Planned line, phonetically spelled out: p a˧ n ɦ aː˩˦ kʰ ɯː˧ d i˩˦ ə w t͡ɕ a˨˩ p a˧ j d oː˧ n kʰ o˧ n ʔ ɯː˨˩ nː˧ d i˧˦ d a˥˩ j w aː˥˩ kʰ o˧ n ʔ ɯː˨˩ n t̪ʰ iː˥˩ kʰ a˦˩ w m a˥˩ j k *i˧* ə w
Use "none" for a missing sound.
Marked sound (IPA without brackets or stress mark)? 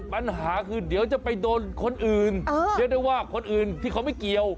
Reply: i˧